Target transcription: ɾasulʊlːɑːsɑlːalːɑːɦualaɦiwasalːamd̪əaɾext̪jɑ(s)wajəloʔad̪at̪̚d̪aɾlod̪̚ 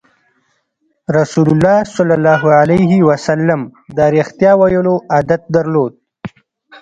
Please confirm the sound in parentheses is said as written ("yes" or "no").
no